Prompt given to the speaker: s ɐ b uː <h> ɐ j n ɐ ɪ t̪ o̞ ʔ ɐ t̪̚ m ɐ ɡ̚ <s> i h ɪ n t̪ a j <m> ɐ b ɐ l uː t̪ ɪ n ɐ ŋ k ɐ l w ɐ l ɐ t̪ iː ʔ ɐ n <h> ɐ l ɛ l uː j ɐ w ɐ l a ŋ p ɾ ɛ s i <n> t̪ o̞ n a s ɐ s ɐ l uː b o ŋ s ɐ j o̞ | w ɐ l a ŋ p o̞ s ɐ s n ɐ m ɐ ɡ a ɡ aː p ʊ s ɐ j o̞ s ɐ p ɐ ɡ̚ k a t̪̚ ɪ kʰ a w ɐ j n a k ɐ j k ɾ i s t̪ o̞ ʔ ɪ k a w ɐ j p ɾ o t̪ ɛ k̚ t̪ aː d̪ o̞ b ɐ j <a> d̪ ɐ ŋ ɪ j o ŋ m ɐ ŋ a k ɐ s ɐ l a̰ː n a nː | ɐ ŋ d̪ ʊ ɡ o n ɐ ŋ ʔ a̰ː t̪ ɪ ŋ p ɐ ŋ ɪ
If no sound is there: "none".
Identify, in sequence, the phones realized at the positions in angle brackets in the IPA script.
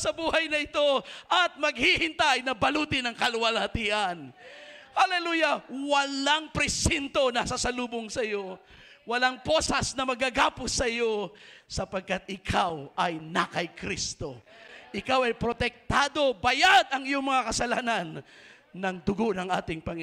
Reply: h, h, n, h, n, a

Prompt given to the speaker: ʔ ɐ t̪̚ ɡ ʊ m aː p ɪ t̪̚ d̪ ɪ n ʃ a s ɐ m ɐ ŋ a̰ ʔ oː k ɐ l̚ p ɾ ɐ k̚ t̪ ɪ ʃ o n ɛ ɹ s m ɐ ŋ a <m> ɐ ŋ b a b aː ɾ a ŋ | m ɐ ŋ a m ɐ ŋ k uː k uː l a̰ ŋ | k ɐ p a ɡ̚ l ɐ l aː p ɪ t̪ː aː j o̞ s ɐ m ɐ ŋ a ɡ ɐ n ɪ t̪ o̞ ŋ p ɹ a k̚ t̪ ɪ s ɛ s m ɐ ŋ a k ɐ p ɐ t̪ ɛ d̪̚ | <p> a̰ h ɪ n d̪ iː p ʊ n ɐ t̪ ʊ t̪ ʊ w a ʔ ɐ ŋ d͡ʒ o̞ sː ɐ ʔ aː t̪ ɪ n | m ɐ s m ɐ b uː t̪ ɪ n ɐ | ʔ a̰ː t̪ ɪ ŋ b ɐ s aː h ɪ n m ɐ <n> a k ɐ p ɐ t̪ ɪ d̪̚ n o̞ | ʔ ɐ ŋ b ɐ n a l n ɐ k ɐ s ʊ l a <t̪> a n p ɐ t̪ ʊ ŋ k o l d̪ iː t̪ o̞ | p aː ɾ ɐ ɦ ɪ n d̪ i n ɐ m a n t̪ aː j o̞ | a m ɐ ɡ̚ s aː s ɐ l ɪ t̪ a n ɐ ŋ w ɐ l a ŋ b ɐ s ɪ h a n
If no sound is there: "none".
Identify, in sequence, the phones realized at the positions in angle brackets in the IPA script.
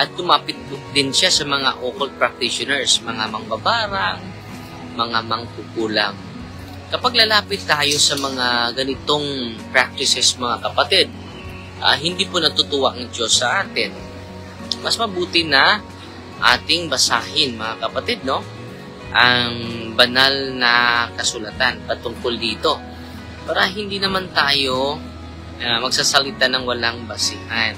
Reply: m, ʔ, ŋ, t̪

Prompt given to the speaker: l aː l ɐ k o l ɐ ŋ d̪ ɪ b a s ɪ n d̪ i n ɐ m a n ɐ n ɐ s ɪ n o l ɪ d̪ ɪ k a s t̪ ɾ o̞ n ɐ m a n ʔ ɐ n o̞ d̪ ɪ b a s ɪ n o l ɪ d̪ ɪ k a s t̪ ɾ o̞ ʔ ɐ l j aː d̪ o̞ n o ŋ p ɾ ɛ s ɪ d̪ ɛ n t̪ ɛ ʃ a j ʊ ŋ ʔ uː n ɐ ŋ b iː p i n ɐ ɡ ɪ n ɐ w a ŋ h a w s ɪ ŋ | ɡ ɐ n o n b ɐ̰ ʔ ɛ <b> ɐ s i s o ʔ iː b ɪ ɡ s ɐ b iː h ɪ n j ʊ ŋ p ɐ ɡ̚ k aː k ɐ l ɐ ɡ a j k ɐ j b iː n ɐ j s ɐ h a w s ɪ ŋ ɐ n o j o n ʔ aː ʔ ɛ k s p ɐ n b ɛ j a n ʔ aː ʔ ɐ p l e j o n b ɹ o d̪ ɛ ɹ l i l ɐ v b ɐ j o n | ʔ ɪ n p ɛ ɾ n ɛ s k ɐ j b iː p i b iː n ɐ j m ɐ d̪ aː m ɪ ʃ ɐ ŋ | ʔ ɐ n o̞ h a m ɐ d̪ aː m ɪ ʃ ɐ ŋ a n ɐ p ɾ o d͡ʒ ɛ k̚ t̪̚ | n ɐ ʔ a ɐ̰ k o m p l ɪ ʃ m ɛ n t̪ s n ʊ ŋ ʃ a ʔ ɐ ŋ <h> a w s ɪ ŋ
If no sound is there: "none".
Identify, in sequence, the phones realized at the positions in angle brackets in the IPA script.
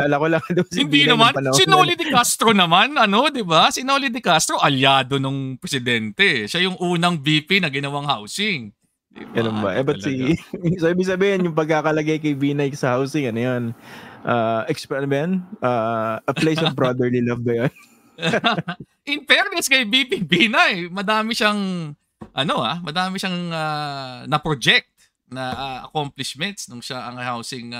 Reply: b, h

